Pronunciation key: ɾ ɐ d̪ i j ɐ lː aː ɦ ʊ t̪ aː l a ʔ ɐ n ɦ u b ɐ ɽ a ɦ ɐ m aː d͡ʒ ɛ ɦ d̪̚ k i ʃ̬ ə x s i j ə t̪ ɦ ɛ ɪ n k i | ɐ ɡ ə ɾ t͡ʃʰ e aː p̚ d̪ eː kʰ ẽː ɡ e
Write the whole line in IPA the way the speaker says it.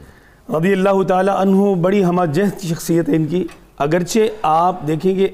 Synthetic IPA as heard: ɾ ɐ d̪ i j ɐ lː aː ɦ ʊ t̪ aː l a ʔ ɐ n ɦ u b ɐ ɽ i ɦ ɐ m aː d͡ʒ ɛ ɦ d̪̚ k i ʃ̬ ɐ x s i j ə t̪ ɦ ɛ ɪ n k i | ɐ ɡ ə ɾ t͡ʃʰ e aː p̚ d̪ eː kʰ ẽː ɡ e